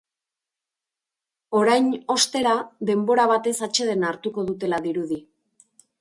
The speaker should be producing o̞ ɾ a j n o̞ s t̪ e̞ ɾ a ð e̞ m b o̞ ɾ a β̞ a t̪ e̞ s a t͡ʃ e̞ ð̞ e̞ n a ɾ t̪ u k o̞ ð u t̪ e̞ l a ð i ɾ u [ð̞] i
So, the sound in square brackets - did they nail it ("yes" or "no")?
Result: yes